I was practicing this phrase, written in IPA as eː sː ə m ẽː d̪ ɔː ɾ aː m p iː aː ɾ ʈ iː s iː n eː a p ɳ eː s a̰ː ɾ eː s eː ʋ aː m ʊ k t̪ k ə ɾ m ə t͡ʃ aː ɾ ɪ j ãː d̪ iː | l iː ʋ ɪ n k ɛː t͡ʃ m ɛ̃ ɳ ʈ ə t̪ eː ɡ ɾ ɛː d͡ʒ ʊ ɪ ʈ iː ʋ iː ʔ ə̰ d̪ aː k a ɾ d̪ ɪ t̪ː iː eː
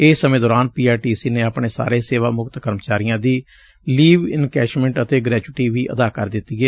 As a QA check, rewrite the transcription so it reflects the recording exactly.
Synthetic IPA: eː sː ə m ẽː d̪ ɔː ɾ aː n p iː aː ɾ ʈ iː s iː n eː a p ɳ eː s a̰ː ɾ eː s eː ʋ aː m ʊ k t̪ k ə ɾ m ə t͡ʃ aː ɾ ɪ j ãː d̪ iː | l iː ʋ ɪ n k ɛː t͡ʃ m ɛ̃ ɳ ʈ ə t̪ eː ɡ ɾ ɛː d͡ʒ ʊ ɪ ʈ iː ʋ iː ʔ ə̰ d̪ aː k ə ɾ d̪ ɪ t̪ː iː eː

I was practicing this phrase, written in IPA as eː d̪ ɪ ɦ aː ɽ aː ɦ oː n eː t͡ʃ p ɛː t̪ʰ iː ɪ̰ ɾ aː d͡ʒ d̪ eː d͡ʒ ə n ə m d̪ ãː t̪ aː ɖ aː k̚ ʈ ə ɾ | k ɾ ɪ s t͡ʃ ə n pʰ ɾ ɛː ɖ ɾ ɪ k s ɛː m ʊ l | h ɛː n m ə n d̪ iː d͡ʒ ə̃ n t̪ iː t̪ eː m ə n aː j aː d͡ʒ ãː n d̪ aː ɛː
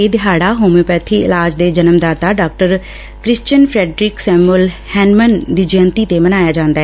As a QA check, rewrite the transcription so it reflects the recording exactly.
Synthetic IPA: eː d̪ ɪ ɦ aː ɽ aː ɦ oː m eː p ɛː t̪ʰ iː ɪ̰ l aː d͡ʒ d̪ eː d͡ʒ ə n ə m d̪ aː t̪ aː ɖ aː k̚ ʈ ə ɾ | k ɾ ɪ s t͡ʃ ə n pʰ ɾ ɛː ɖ ɾ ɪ k s ɛː m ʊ l | h ɛː n m ə n d̪ iː d͡ʒ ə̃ n t̪ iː t̪ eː m ə n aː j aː d͡ʒ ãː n d̪ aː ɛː

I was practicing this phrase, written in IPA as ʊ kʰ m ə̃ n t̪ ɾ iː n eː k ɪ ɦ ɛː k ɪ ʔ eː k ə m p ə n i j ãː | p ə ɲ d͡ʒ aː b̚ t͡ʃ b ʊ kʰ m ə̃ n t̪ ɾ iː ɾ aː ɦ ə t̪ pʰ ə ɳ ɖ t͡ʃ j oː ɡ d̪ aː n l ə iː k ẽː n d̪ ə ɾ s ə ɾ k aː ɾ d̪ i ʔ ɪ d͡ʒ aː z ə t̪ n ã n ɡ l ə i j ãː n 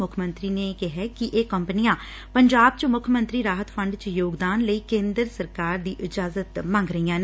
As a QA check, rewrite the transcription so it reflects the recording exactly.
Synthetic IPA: ʊ kʰ m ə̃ n t̪ ɾ iː n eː k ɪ ɦ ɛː k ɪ ʔ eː k ə m p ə n i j ãː | p ə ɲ d͡ʒ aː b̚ t͡ʃ m ʊ kʰ m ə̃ n t̪ ɾ iː ɾ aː ɦ ə t̪ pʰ ə ɳ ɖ t͡ʃ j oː ɡ d̪ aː n l ə iː k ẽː n d̪ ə ɾ s ə ɾ k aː ɾ d̪ iː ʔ ɪ d͡ʒ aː z ə t̪ m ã ŋ ɡ ɾ ə i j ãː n

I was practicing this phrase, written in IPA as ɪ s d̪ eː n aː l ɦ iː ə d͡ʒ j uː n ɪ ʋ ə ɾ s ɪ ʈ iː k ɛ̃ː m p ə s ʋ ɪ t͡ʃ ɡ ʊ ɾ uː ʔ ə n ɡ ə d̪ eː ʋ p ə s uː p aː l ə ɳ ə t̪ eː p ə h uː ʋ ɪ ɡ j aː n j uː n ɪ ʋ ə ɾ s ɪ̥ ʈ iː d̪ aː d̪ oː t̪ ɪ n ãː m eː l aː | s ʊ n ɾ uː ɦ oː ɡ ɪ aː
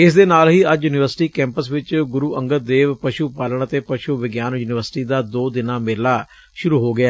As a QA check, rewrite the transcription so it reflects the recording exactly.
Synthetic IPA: ɪ s d̪ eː n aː l ɦ iː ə d͡ʒ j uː n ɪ ʋ ə ɾ s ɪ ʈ iː k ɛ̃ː m p ə s ʋ ɪ t͡ʃ ɡ ʊ ɾ uː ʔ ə ŋ ɡ ə d̪ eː ʋ p ə ʃ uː p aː l ə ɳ ə t̪ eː p ə ʃ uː ʋ ɪ ɡ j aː n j uː n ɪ ʋ ə ɾ s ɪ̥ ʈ iː d̪ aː d̪ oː d̪ ɪ n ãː m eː l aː | ʃ ʊ ɾ uː ɦ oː ɡ ɪ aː

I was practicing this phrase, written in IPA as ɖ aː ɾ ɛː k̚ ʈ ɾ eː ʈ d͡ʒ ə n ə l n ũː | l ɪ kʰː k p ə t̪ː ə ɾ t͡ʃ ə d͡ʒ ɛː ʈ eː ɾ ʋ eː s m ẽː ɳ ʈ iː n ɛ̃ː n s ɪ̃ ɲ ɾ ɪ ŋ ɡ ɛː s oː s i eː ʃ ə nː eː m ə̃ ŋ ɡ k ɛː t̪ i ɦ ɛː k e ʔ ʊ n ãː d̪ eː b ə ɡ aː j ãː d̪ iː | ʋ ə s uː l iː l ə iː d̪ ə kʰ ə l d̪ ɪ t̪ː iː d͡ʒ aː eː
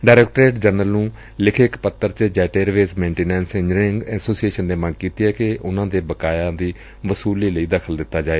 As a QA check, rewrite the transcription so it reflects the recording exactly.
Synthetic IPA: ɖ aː ɾ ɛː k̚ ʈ ɾ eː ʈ d͡ʒ ə n ə l n ũː | l ɪ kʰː k p ə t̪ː ə ɾ t͡ʃ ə d͡ʒ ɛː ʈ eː ɾ ʋ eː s m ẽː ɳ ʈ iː n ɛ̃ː n s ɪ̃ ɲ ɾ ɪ ŋ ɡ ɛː s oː s i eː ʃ ə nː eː m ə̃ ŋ ɡ k iː t̪ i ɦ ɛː k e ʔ ʊ n ãː d̪ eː b ə k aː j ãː d̪ iː | ʋ ə s uː l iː l ə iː d̪ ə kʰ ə l d̪ ɪ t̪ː aː d͡ʒ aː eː

